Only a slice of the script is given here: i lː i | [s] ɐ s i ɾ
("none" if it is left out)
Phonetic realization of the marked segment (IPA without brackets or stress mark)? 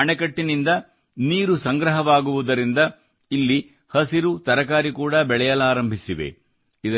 h